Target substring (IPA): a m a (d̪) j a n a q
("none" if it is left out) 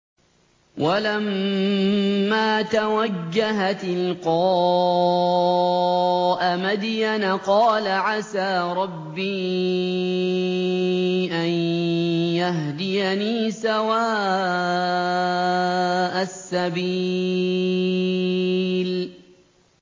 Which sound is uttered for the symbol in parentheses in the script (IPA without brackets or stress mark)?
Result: d̪